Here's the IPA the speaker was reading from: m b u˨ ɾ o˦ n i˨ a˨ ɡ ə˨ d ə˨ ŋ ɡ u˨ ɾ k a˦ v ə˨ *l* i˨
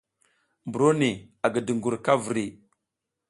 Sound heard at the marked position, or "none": ɾ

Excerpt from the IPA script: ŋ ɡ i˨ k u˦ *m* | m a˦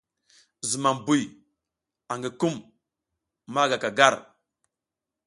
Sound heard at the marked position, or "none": m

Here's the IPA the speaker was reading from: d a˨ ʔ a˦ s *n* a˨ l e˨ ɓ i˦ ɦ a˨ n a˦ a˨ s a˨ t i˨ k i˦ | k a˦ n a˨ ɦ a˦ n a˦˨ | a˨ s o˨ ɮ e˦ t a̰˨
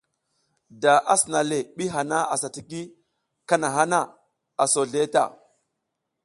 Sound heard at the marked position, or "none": n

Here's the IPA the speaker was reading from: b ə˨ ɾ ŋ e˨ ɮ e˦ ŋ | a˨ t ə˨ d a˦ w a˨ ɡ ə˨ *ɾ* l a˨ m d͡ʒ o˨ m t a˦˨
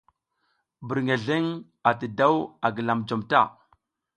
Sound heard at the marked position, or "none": none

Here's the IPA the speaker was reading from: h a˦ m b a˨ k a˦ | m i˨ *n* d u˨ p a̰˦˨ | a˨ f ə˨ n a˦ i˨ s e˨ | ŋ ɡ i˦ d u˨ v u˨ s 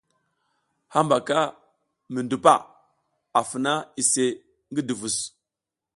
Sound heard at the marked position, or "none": n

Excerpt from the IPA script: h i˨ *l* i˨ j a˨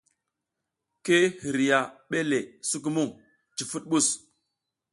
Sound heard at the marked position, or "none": ɾ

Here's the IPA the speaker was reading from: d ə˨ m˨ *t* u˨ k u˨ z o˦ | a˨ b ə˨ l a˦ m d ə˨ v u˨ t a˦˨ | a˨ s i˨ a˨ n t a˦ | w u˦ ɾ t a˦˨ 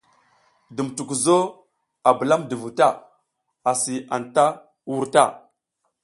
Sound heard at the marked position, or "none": t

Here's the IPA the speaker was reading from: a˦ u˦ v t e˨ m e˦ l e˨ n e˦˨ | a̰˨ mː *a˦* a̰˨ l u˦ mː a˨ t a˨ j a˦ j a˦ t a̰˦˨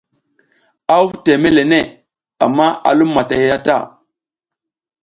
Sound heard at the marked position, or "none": a˦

